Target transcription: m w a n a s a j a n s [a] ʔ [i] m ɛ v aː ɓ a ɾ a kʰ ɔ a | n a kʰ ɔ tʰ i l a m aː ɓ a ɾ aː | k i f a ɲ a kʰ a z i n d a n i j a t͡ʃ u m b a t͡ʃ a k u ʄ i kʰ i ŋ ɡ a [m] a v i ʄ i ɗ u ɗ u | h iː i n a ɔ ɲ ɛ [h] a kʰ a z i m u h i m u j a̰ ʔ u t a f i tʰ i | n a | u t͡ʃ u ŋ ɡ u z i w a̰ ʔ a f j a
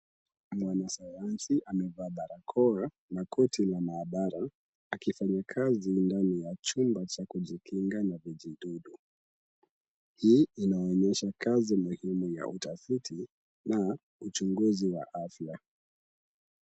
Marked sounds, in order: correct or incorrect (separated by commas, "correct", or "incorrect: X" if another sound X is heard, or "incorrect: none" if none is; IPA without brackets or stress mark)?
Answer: incorrect: i, incorrect: a, incorrect: n, incorrect: ʃ